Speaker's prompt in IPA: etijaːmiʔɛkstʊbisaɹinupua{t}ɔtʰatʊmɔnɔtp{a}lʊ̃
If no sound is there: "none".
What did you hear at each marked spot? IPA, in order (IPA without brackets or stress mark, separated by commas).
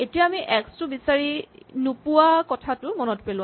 k, e